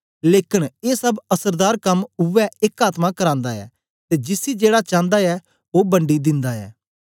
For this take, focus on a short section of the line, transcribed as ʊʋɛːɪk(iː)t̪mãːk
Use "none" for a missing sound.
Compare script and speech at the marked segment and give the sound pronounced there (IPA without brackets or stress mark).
aː